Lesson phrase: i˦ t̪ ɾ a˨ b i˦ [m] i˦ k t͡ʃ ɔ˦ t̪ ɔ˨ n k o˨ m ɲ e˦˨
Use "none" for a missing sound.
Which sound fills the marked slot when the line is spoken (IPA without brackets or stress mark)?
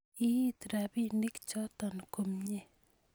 n